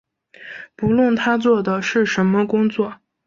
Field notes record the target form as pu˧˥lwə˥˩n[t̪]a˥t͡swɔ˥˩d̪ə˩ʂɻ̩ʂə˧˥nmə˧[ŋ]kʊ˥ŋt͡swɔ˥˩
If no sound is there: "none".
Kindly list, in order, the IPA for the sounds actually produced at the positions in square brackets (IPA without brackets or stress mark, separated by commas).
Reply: t̪ʰ, none